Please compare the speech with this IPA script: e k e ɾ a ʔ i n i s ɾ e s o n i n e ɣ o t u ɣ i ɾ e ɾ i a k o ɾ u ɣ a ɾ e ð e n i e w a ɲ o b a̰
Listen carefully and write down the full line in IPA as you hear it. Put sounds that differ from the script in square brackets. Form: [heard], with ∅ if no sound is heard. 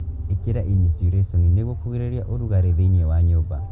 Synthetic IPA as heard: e k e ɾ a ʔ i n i s ɾ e s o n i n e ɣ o [k] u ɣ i ɾ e ɾ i a [ʔ] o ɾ u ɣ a ɾ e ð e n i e w a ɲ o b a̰